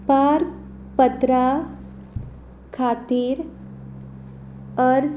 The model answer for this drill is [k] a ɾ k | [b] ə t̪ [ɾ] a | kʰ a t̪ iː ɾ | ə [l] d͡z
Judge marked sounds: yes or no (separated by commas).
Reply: no, no, yes, no